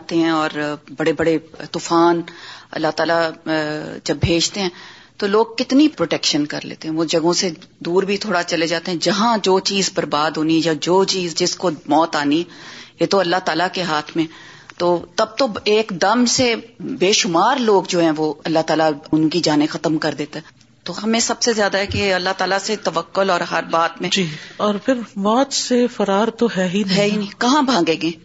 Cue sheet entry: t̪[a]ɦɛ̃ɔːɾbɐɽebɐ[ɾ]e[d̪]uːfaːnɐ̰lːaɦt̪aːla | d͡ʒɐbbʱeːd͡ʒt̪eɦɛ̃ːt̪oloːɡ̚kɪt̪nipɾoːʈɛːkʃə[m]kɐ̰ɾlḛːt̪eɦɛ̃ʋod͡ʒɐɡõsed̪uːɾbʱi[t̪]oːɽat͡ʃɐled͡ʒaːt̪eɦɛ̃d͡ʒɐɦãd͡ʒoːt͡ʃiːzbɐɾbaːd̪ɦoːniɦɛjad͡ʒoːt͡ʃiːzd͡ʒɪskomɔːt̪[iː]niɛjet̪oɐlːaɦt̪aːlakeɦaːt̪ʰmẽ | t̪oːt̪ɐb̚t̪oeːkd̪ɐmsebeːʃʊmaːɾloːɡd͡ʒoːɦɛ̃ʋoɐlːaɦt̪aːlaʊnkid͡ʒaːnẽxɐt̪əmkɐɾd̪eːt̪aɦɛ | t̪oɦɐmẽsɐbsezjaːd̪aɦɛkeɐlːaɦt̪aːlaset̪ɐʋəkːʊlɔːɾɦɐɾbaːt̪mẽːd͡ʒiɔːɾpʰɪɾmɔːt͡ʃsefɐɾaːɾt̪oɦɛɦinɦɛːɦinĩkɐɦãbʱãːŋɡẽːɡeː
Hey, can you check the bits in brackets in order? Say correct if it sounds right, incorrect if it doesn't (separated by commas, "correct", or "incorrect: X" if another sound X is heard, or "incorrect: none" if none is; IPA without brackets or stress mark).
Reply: incorrect: e, incorrect: ɽ, incorrect: t̪, incorrect: n, incorrect: t̪ʰ, incorrect: aː